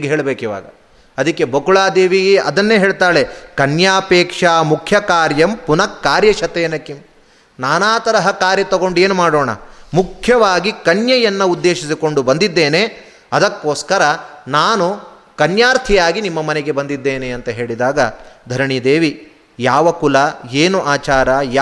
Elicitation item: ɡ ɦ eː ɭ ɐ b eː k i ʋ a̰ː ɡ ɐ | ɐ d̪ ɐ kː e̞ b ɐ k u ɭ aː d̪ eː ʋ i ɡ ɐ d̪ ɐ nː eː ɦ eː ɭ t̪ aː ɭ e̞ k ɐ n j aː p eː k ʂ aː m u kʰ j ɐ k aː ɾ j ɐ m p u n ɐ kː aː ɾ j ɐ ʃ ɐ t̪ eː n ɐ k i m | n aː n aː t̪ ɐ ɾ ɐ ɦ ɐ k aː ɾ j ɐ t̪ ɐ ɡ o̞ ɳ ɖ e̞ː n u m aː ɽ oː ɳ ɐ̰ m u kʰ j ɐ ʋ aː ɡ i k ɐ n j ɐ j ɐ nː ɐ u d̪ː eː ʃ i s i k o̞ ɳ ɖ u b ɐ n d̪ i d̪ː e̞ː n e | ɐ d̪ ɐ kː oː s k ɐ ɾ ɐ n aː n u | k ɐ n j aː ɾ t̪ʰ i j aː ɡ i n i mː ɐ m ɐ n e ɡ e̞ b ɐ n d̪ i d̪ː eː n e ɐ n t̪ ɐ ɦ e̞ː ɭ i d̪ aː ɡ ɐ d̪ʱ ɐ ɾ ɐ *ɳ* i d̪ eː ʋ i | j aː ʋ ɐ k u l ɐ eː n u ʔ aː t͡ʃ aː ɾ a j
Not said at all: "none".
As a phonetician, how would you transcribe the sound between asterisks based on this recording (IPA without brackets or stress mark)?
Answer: ɳ